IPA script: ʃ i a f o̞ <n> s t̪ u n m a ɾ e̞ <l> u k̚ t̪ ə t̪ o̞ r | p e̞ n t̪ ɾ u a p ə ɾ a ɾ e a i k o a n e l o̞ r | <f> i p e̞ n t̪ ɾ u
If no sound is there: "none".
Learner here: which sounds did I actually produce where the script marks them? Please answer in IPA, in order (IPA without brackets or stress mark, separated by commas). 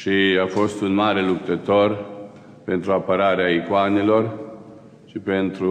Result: none, l, ʃ